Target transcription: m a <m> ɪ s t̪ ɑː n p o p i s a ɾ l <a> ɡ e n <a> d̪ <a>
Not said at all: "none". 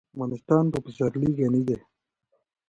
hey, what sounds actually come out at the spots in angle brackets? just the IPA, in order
n, i, i, e

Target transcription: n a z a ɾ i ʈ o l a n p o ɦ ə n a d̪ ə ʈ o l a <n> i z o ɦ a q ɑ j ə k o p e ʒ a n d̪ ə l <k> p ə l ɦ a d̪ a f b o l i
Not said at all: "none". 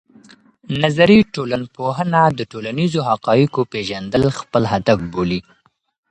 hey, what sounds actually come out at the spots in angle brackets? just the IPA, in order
n, x

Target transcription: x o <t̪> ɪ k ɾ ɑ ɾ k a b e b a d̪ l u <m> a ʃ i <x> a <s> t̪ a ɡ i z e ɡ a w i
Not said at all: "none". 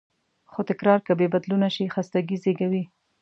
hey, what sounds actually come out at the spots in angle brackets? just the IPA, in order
t̪, n, x, s

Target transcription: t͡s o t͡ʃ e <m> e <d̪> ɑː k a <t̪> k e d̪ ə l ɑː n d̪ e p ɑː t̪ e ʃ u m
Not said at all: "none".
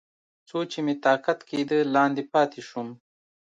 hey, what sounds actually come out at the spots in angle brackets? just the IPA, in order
m, t̪, t̪

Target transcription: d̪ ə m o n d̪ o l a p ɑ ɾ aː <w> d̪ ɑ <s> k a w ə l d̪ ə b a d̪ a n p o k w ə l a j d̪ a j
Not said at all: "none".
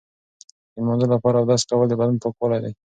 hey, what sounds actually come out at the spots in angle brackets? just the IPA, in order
w, s

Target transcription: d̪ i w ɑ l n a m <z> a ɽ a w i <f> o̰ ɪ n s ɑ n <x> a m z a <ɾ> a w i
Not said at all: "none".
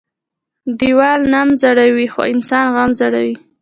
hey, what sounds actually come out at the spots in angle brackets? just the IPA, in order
z, x, ɣ, ɽ

